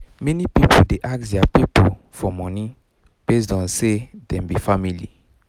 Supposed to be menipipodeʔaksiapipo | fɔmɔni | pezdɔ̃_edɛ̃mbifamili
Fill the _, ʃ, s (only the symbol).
s